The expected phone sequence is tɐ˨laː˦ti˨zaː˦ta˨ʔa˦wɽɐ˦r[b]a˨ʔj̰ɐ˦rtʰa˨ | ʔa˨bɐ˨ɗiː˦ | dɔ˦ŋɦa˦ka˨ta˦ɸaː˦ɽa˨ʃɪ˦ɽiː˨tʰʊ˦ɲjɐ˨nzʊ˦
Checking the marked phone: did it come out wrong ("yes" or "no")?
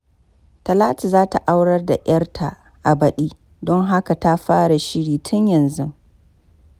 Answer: yes